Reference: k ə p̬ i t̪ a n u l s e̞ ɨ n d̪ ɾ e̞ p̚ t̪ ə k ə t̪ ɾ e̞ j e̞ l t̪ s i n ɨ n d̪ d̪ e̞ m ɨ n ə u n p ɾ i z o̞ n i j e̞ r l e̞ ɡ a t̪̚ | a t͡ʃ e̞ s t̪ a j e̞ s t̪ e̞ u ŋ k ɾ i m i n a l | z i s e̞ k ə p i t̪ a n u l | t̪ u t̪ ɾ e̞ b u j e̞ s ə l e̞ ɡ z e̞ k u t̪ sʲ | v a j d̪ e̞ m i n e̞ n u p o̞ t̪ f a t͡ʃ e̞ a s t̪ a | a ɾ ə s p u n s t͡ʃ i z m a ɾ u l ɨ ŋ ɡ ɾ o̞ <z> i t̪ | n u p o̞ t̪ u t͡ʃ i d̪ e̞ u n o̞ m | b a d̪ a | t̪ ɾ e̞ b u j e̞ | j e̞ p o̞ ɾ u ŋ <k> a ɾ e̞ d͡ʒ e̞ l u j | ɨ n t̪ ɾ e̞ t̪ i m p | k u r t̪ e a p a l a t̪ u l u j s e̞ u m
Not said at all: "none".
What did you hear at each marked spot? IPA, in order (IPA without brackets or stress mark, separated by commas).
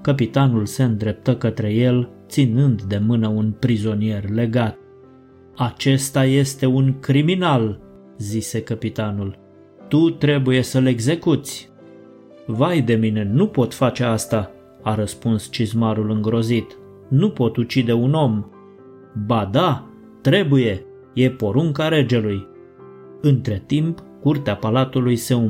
z, k